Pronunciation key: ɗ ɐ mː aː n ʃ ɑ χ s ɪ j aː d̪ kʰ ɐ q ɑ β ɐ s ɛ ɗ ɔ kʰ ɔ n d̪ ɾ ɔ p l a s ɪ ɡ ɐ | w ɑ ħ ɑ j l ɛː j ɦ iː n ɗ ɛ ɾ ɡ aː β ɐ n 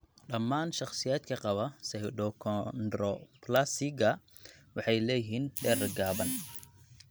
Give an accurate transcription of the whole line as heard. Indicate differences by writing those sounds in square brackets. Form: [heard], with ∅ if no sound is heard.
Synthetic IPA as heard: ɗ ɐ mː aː n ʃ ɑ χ s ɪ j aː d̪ kʰ ɐ q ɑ β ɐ s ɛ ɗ ɔ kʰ ɔ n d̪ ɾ ɔ p l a s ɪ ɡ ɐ | w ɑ ħ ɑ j l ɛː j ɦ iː n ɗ ɛ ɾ ɡ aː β ɐ n